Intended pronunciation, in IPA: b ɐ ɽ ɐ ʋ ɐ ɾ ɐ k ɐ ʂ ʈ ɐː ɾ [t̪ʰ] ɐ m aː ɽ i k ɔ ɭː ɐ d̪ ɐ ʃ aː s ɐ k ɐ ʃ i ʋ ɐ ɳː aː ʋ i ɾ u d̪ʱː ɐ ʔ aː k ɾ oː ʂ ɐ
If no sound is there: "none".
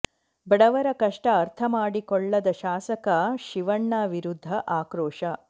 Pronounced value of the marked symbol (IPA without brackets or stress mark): t̪ʰ